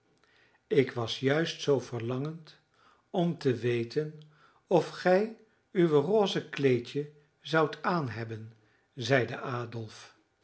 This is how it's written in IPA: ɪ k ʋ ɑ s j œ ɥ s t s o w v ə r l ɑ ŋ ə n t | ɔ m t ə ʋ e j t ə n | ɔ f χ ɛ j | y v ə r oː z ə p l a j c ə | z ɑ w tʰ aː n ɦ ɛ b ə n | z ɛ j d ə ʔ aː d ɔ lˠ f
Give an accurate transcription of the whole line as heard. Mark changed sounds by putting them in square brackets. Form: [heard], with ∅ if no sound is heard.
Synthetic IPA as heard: ɪ k ʋ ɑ s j œ ɥ s t s o w v ə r l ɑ ŋ ə n t | ɔ m t ə ʋ e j t ə n | ɔ f χ ɛ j | y [ʋ] ə r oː z ə [k] l [e] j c ə | z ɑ w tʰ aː n ɦ ɛ b ə n | z ɛ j d ə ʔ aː d ɔ lˠ f

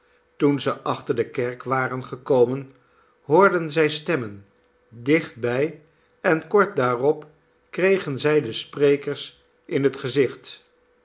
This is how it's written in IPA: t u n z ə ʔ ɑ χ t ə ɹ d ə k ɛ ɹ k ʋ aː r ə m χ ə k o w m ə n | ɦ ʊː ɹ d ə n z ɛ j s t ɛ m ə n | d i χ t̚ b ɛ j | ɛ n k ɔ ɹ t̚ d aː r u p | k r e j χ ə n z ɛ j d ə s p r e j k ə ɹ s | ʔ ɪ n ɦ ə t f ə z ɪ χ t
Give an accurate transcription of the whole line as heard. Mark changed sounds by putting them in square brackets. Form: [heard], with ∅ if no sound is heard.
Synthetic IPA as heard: t u n z ə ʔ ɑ χ t ə ɹ d ə k ɛ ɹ k ʋ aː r ə [n] χ ə k o w m ə n | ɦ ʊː ɹ d ə n z ɛ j s t ɛ m ə n | d [ɪ] χ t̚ b ɛ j | ɛ n k ɔ ɹ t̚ d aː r [ɔ] p | k r e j χ ə n z ɛ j d ə s p r e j k ə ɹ s | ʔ ɪ n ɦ ə t [χ] ə z ɪ χ t

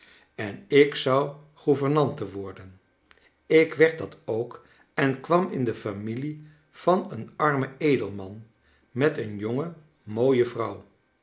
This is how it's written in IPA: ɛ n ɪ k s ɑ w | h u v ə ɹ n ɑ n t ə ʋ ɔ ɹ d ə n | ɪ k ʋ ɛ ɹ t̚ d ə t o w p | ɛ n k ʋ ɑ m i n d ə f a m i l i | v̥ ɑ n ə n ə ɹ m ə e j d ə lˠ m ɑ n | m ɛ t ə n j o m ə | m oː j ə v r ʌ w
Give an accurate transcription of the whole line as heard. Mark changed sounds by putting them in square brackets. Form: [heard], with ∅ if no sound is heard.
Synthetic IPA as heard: ɛ n ɪ k s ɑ w | [χ] u v ə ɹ n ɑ n t ə ʋ ɔ ɹ d ə n | ɪ k ʋ ɛ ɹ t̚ d [ɑ] t o w [k] | ɛ n k ʋ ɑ m [ɪ] n d ə f a m i l i | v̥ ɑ n ə n [ɑ] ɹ m ə e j d ə lˠ m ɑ n | m ɛ t ə n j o [ŋ] ə | m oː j ə v r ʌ w

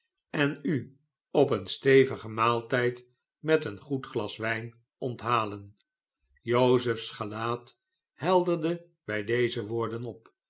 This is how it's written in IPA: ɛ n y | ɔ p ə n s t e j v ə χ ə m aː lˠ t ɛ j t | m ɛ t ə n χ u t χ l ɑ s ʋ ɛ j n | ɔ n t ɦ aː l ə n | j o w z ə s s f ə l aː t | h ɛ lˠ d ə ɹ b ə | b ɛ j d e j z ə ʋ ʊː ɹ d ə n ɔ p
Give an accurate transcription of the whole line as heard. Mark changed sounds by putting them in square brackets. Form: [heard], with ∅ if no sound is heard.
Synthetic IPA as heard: ɛ n y | ɔ p ə n s t e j v ə χ ə m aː lˠ t ɛ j t | m ɛ t ə n χ u t χ l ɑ s ʋ ɛ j n | ɔ n t ɦ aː l ə n | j o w z ə [f] s [χ] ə l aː t | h ɛ lˠ d ə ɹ [d] ə | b ɛ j d e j z ə ʋ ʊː ɹ d ə n ɔ p

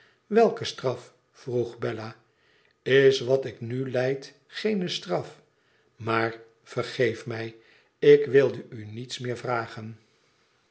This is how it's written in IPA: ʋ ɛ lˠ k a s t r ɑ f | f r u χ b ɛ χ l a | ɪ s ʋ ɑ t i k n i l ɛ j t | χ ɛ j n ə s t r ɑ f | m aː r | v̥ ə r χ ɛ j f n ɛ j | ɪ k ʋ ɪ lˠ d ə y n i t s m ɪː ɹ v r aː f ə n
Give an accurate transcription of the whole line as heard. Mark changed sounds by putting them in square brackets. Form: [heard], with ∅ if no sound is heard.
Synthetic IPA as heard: ʋ ɛ lˠ k [ə] s t r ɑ f | f r u χ b ɛ [∅] l a | ɪ s ʋ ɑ t [ɪ] k n [y] l ɛ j t | χ [e] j n ə s t r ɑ f | m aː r | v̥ ə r χ [e] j f [m] ɛ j | ɪ k ʋ ɪ lˠ d ə y n i t s m ɪː ɹ v r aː [χ] ə n

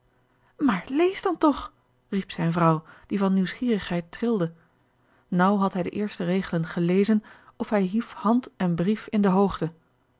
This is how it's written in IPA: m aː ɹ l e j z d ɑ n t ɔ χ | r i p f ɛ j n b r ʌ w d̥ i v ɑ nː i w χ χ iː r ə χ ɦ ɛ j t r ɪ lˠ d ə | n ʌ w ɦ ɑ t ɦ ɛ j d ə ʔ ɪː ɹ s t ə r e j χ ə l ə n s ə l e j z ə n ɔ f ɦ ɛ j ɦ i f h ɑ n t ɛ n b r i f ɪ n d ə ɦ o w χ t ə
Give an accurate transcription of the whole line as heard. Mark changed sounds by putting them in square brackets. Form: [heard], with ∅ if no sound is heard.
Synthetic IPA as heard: m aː ɹ l e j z d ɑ n t ɔ χ | r i p [s] ɛ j n [v] r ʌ w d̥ i v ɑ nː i w [s] χ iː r ə χ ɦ ɛ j t r ɪ lˠ d ə | n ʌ w ɦ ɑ t ɦ ɛ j d ə ʔ ɪː ɹ s t ə r e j χ ə l ə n [χ] ə l e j z ə n ɔ f ɦ ɛ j ɦ i f h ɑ n t ɛ n b r i f ɪ n d ə ɦ o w χ t ə

